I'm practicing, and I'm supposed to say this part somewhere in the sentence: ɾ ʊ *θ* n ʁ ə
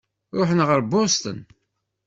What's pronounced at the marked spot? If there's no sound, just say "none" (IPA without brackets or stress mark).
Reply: ħ